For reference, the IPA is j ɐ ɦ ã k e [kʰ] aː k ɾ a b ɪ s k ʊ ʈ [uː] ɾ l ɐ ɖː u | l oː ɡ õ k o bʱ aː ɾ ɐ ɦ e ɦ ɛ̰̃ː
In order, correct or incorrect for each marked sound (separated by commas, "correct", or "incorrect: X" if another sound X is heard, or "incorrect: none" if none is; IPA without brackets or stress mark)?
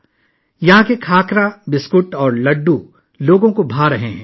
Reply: correct, incorrect: ɔː